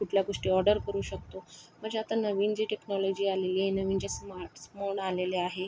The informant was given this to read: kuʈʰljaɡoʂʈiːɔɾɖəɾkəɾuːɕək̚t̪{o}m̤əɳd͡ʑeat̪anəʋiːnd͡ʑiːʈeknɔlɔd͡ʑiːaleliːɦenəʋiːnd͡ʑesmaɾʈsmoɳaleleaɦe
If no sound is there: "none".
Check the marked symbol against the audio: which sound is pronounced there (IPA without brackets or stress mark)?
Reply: o